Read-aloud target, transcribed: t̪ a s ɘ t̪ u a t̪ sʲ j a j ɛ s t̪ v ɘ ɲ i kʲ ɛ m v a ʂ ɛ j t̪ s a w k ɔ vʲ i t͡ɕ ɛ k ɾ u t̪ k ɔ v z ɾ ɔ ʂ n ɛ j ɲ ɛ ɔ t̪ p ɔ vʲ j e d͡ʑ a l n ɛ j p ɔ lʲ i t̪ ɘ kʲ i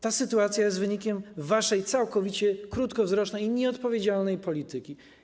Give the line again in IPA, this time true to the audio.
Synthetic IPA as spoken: t̪ a s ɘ t̪ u a t̪ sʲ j a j ɛ s t̪ v ɘ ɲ i kʲ ɛ m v a ʂ ɛ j t̪ s a w k ɔ vʲ i t͡ɕ ɛ k ɾ u t̪ k ɔ v z ɾ ɔ ʂ n ɛ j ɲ ɛ ɔ t̪ p ɔ vʲ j e d͡ʑ a l n ɛ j p ɔ lʲ i t̪ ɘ kʲ i